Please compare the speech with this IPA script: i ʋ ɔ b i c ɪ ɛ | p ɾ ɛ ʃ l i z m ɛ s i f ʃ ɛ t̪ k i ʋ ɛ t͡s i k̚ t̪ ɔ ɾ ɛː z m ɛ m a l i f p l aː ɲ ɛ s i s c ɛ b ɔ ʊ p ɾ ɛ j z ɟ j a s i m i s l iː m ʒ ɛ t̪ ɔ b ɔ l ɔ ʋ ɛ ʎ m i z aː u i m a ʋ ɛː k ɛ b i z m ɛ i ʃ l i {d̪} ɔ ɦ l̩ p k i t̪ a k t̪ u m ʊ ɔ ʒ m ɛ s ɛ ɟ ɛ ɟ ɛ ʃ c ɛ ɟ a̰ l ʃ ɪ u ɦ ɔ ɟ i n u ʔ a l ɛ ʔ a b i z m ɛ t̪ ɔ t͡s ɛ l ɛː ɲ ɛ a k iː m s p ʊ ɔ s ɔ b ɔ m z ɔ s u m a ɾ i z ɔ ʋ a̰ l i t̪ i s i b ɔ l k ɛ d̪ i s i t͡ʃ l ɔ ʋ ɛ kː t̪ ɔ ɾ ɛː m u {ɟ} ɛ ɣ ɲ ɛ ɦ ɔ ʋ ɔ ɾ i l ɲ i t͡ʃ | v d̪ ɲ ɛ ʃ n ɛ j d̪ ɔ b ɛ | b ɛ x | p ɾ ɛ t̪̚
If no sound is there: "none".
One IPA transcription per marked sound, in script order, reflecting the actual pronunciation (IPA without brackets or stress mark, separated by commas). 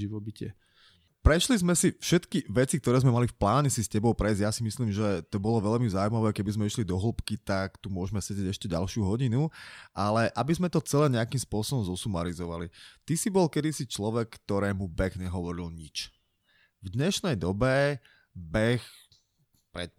d̪, b